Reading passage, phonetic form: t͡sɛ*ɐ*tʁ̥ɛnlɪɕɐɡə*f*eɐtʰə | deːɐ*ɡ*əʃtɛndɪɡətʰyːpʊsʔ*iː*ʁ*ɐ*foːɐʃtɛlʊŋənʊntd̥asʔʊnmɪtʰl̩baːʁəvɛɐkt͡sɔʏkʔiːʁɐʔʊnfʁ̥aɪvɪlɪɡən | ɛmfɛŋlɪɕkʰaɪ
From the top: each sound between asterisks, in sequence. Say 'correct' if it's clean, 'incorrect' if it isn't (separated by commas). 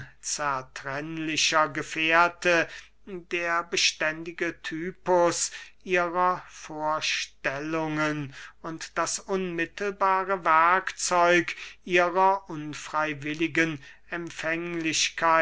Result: correct, correct, incorrect, correct, correct